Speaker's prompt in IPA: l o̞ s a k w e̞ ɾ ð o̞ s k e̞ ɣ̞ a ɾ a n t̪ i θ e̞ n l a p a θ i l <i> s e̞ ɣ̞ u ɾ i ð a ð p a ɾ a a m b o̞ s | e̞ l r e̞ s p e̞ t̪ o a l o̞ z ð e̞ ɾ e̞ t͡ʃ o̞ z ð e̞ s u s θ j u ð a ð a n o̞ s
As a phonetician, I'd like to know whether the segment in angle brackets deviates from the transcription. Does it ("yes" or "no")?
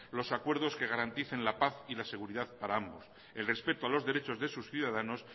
yes